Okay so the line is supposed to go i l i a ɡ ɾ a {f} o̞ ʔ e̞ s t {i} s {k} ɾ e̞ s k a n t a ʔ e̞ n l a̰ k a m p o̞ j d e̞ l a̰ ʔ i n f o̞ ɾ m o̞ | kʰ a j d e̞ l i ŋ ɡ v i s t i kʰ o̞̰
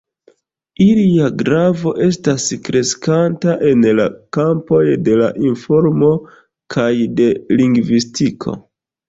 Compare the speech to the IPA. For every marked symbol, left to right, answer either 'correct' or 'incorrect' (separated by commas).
incorrect, incorrect, correct